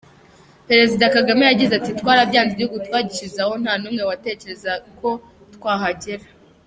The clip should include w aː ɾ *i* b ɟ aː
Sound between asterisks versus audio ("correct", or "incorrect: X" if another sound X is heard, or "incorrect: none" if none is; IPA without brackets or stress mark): incorrect: a